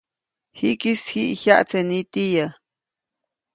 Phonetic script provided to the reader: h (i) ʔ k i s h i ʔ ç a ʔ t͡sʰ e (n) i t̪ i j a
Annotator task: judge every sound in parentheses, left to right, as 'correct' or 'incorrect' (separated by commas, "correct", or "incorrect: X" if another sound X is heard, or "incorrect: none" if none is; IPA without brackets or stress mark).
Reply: correct, correct